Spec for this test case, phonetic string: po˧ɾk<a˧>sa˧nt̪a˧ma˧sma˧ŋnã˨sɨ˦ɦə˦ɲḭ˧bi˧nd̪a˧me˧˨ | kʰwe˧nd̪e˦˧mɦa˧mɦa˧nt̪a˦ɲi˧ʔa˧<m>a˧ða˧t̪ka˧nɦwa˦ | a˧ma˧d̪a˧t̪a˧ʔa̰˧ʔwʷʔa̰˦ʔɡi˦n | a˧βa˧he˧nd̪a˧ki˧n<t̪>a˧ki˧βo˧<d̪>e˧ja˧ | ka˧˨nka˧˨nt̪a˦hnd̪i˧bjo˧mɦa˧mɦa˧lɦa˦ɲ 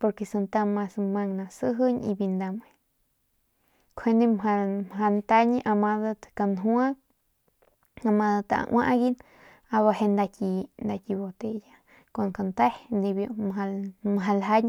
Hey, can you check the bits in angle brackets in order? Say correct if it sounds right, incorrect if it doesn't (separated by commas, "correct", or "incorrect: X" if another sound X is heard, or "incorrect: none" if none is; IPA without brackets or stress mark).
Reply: incorrect: e˧, correct, incorrect: d̪, incorrect: t̪